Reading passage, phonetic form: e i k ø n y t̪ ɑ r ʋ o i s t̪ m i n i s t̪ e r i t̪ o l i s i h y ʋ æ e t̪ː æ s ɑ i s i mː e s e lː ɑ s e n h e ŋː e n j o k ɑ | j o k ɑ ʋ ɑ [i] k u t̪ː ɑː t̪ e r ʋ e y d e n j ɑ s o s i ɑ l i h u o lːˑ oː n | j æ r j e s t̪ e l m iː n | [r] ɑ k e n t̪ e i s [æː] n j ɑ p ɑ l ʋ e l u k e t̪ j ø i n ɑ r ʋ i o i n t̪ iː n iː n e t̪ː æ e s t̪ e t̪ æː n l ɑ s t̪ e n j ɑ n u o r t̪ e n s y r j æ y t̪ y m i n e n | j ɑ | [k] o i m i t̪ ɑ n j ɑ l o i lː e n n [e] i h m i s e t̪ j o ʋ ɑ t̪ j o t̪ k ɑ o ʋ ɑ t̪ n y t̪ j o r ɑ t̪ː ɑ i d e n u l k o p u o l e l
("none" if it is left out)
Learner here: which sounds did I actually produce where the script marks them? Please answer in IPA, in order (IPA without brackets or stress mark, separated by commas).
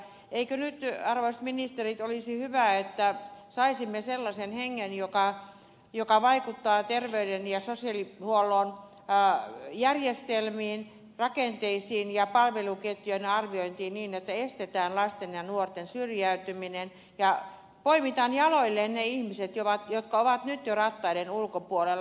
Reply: i, r, iː, p, e